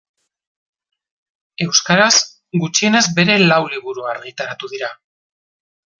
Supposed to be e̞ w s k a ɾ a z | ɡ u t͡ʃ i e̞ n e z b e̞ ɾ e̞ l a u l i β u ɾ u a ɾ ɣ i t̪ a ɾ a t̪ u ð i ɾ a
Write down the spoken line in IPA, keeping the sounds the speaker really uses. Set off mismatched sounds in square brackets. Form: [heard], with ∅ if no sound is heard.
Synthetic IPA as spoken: e̞ w s k a ɾ a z | ɡ u t͡ʃ i e̞ n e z b e̞ ɾ e̞ l a [w] l i β u ɾ u a ɾ ɣ i t̪ a ɾ a t̪ u ð i ɾ a